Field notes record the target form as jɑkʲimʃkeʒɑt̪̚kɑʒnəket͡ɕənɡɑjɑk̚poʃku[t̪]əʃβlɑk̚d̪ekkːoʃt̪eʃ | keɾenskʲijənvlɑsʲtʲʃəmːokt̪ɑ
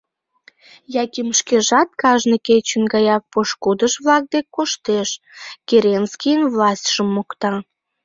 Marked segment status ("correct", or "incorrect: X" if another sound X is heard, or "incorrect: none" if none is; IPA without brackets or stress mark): incorrect: d̪